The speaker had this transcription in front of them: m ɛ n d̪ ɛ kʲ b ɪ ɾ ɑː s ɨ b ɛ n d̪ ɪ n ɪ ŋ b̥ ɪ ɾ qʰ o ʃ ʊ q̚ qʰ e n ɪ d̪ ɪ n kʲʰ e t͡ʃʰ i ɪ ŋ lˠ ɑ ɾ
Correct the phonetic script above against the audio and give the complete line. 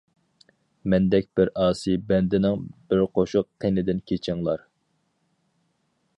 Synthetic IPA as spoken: m ɛ n d̪ ɛ kʲ b ɪ ɾ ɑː s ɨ b ɛ n d̪ ɪ n ɪ ŋ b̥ ɪ ɾ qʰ o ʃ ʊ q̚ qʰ e n ɪ d̪ ɪ n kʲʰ e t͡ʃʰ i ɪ ŋ lˠ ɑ ɾ